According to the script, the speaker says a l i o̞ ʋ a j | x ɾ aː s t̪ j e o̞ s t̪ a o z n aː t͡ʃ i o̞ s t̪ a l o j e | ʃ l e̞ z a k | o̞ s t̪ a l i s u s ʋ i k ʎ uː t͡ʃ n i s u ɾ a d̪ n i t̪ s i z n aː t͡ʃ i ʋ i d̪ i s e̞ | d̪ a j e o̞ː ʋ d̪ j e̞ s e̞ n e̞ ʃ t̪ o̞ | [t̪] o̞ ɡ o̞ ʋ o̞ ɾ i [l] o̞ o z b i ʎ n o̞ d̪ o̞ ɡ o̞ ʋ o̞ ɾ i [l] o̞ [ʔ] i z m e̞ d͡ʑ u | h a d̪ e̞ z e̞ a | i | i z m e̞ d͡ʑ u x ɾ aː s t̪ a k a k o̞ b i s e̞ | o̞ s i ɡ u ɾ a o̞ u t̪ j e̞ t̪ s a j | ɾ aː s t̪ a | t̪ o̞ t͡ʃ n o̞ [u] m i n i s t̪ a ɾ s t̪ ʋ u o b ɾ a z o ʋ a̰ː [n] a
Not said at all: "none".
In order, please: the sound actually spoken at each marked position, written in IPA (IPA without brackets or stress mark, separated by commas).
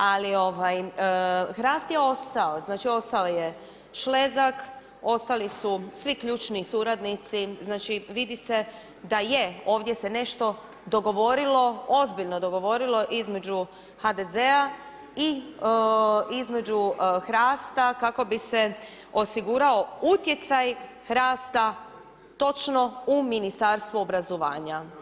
d̪, l, l, ʔ, u, ɲ